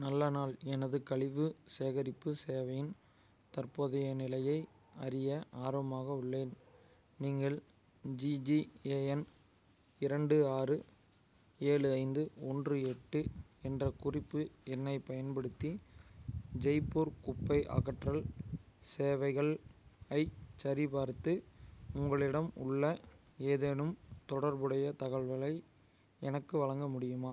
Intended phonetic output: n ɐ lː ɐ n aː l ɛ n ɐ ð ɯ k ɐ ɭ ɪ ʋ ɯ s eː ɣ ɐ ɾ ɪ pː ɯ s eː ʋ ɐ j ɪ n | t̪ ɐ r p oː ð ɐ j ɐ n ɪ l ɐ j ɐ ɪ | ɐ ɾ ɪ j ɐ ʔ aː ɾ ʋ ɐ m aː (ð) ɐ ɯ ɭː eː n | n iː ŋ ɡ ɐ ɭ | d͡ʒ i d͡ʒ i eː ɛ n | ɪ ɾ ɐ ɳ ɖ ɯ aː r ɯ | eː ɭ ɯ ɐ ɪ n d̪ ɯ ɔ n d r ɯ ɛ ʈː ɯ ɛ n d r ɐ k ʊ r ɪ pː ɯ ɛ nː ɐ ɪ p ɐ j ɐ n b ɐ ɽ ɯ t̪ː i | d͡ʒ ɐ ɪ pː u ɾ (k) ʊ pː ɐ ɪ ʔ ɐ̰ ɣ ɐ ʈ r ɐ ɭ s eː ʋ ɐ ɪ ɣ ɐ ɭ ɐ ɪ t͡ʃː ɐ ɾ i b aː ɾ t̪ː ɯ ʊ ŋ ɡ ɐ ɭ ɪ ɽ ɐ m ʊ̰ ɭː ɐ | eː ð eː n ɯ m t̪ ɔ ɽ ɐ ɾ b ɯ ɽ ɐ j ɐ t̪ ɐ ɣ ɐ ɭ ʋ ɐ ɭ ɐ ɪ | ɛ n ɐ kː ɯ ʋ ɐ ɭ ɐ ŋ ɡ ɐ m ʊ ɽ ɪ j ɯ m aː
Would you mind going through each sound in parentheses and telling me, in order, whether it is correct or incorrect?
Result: incorrect: ɣ, correct

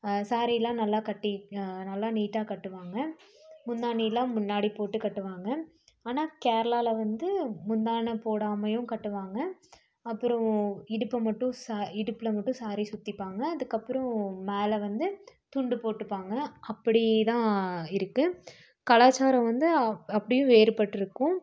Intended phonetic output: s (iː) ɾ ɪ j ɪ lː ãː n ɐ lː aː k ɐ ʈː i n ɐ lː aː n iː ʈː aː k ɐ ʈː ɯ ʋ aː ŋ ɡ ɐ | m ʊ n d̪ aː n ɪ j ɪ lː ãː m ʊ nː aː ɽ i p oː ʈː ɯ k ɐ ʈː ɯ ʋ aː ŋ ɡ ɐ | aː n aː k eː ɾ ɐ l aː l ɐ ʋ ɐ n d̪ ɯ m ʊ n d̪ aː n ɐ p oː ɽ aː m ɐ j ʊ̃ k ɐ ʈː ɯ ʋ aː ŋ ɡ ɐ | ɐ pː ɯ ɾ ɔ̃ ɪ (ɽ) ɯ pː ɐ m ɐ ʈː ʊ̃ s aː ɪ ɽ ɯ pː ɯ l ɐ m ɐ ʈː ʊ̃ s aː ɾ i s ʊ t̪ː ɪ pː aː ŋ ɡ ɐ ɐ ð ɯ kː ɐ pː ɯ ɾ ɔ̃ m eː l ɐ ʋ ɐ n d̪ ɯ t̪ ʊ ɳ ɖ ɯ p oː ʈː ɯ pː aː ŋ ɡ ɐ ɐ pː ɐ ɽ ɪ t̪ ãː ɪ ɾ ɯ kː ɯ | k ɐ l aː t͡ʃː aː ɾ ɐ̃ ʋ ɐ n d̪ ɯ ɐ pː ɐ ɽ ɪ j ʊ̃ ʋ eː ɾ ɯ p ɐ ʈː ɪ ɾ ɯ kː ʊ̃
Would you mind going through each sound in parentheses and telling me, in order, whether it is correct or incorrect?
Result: incorrect: aː, correct

